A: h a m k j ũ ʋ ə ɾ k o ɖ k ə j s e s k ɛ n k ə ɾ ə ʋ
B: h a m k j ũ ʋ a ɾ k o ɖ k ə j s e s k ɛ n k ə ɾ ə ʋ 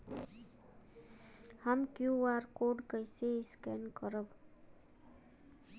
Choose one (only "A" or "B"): B